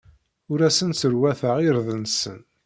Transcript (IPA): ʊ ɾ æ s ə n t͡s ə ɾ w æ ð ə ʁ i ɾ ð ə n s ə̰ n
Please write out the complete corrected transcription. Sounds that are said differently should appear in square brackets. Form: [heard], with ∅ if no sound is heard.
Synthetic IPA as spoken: ʊ ɾ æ s ə n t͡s ə ɾ w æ [θ] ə ʁ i ɾ ð ə n s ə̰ n

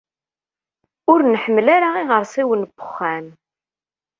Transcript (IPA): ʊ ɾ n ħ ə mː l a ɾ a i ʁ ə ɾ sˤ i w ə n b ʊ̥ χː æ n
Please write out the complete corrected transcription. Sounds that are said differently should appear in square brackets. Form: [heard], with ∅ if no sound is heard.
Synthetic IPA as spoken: ʊ ɾ n ħ ə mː l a ɾ a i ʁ ə ɾ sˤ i w ə n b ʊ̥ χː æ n

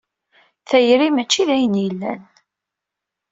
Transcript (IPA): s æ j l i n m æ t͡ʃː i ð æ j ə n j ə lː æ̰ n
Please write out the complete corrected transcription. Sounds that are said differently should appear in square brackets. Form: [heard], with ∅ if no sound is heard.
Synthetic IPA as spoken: [θ] æ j [ɾ] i [∅] m æ t͡ʃː i ð æ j ə n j ə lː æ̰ n

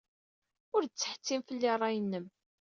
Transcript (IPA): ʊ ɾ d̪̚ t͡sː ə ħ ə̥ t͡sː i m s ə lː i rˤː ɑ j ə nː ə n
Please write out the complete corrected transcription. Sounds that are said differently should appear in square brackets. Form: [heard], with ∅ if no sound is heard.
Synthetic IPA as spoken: ʊ ɾ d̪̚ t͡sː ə ħ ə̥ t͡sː i m [f] ə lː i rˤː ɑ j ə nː ə [m]

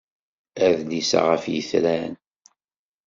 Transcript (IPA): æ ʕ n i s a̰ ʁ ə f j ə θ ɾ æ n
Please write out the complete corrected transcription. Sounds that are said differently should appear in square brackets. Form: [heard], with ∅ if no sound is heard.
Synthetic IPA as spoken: æ [ð] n i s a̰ ʁ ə f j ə θ ɾ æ n

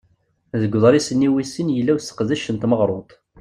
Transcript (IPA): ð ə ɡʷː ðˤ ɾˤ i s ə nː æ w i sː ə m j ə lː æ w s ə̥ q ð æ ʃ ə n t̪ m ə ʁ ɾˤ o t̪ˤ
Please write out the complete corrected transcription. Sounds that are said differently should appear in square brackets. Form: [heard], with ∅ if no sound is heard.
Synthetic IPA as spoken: ð ə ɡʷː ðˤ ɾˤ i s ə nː [i] w i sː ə [n] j ə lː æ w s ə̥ q ð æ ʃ ə n t̪ m ə ʁ ɾˤ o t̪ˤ

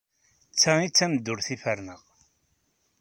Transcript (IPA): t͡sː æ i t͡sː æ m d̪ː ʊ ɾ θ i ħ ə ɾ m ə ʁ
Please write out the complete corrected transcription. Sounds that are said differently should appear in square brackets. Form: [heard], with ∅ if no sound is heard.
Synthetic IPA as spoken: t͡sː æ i t͡sː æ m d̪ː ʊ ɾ θ i [f] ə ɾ [n] ə ʁ

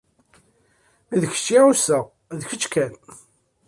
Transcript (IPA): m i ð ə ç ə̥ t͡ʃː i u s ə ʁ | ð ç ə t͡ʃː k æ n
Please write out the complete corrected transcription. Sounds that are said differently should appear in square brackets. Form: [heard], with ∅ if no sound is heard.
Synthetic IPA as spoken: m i ð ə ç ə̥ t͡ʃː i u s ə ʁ | ð ç ə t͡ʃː k æ n

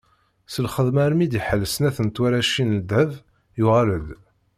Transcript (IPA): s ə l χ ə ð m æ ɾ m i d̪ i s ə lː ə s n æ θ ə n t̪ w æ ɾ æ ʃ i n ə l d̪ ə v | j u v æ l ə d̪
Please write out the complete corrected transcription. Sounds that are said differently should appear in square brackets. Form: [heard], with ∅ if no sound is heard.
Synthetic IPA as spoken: s ə l χ ə ð m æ ɾ m i d̪ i [ħ] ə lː ə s n æ θ ə n t̪ w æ ɾ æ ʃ i n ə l d̪ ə v | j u [ʁ] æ l ə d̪

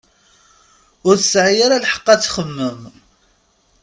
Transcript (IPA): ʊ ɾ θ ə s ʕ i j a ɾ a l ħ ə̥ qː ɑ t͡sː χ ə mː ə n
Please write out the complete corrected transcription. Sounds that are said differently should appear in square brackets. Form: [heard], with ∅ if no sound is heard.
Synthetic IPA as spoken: ʊ ɾ θ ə s ʕ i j a ɾ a l ħ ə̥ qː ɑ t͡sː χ ə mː ə [m]

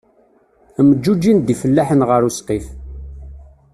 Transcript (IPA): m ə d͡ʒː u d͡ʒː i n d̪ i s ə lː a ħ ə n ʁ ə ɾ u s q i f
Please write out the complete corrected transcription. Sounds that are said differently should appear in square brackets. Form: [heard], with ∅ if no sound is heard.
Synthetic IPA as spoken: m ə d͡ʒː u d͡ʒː i n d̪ i [f] ə lː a ħ ə n ʁ ə ɾ u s q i f

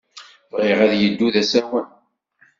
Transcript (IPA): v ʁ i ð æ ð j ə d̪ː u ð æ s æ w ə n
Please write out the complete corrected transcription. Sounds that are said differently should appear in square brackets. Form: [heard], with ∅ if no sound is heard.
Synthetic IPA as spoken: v ʁ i [ʁ] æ ð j ə d̪ː u ð æ s æ w ə n

